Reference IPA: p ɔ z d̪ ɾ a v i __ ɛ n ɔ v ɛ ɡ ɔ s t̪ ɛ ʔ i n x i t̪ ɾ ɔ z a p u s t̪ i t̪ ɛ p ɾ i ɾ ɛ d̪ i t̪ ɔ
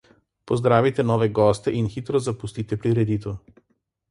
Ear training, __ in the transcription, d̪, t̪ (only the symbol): t̪